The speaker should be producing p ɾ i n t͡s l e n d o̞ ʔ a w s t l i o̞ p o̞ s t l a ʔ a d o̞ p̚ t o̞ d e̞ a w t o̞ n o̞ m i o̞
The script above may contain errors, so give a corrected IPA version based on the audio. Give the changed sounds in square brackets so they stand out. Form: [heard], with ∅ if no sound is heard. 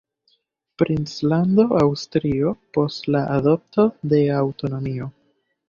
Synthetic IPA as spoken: p ɾ i n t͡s l [a] n d o̞ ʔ a w s t [ɾ] i o̞ p o̞ s t l a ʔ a d o̞ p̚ t o̞ d e̞ a w t o̞ n o̞ m i o̞